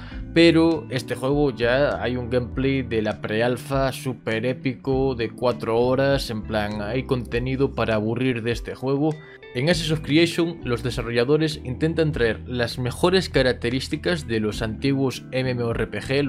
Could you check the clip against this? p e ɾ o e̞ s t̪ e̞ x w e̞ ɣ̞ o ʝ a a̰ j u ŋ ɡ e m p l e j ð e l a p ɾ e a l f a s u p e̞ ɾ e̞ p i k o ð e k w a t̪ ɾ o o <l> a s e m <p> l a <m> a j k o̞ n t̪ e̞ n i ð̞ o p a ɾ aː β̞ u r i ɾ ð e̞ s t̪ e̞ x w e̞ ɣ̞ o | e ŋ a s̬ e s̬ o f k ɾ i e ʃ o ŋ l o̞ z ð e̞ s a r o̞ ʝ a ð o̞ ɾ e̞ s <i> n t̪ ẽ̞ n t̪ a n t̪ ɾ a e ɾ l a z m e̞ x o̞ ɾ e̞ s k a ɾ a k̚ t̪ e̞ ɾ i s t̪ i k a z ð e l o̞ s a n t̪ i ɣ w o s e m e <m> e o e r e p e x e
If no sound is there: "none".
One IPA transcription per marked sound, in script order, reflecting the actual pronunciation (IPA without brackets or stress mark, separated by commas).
ɾ, p, ŋ, i, m